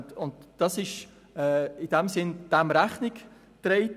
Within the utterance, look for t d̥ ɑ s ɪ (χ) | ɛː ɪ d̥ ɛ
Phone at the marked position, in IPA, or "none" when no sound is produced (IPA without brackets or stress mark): ʃ